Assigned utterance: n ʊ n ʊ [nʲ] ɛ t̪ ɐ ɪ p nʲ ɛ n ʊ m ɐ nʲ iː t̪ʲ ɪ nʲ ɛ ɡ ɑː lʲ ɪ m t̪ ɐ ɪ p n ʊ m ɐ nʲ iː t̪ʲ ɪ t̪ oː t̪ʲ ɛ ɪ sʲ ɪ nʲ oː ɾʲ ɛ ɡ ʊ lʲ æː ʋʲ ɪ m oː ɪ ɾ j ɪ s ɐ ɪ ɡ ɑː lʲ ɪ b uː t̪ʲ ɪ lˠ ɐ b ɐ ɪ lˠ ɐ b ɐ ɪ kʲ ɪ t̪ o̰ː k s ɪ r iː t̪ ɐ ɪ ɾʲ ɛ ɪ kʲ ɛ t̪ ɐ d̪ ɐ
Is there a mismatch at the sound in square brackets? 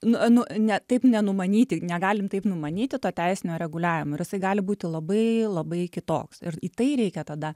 no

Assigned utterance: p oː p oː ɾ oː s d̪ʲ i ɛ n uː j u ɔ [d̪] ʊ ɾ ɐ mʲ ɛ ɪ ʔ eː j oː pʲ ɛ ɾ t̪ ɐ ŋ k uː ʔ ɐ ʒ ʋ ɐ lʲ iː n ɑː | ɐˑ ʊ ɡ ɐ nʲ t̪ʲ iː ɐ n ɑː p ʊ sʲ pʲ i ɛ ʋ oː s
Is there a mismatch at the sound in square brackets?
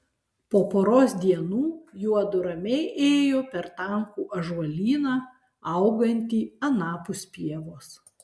no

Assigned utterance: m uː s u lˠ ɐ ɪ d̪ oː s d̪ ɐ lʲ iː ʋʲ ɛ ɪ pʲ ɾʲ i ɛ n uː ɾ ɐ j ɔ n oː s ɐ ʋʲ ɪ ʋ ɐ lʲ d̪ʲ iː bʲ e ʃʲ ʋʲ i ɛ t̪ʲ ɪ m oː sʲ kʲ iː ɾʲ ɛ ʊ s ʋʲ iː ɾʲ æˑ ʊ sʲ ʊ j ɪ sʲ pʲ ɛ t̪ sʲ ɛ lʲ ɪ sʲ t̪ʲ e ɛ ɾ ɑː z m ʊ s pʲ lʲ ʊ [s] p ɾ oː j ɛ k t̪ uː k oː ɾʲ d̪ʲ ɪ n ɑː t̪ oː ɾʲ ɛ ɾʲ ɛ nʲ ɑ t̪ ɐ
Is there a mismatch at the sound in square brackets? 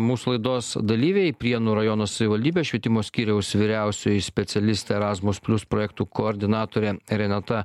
no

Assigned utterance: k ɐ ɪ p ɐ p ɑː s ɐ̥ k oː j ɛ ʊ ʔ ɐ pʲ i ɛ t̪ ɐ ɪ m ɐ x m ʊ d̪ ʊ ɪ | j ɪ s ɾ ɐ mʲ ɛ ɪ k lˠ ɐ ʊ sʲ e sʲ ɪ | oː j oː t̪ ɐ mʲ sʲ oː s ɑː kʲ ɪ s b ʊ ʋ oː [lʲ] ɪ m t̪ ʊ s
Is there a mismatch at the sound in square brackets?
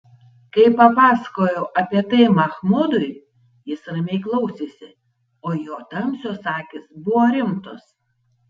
yes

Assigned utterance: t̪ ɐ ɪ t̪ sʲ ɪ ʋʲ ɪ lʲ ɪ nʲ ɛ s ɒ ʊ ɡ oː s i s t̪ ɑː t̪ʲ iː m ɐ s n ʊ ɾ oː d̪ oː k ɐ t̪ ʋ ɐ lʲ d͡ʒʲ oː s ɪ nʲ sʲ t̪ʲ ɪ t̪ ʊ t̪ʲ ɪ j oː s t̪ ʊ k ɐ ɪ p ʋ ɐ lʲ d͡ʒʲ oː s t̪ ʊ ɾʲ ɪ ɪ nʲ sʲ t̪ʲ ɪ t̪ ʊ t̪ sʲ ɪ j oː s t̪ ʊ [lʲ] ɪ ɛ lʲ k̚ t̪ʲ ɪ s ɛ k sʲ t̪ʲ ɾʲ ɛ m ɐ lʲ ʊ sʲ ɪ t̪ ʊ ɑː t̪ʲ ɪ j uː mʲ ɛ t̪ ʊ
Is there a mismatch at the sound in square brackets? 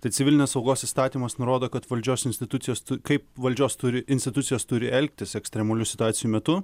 yes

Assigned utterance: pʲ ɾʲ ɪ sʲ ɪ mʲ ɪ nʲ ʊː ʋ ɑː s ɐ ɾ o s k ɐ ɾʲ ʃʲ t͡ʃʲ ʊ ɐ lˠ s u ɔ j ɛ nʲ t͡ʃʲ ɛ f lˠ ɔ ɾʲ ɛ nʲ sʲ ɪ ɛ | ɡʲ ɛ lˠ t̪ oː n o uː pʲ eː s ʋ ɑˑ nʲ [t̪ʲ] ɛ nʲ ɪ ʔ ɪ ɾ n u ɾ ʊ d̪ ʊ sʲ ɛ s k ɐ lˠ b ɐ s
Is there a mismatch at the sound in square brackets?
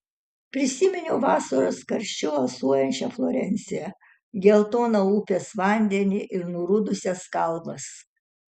yes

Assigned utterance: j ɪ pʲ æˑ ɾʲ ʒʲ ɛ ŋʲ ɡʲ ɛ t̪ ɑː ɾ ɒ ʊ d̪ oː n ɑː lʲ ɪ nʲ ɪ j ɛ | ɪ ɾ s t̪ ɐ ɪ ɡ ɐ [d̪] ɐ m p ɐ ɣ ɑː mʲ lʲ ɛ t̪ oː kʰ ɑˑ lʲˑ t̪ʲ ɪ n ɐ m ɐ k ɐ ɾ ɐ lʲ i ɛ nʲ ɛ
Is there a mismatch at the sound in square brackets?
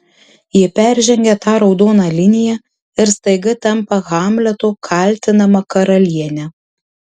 yes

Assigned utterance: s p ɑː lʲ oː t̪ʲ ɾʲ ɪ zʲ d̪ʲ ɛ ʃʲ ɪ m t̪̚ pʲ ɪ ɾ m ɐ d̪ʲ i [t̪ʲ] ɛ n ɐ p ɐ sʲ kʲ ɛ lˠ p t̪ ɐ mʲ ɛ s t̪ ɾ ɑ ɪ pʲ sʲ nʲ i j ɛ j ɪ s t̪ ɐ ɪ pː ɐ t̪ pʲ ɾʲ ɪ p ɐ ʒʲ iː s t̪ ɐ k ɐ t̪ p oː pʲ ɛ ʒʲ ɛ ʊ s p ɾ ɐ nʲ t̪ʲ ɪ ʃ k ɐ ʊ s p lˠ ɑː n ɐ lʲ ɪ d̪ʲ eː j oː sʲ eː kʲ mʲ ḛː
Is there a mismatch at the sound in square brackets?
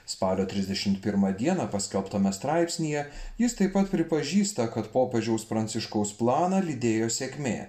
yes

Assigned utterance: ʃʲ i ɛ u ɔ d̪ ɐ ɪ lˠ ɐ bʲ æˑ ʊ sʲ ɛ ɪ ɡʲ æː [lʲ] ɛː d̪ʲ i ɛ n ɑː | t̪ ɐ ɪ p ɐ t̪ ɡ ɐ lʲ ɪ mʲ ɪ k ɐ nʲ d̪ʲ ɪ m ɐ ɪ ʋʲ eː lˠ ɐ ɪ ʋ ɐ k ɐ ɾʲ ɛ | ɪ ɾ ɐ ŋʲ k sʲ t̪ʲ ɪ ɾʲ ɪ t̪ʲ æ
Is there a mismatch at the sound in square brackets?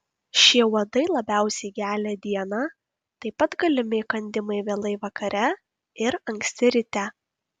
no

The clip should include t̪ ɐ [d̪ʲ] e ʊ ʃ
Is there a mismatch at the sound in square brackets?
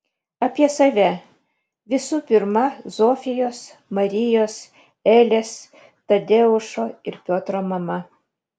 no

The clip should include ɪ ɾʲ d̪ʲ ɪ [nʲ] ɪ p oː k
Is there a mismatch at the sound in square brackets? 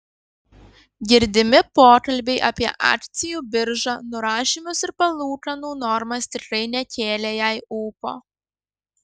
yes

